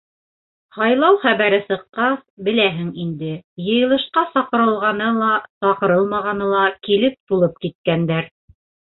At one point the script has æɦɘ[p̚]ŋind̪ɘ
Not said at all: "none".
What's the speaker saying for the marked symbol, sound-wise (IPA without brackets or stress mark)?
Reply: none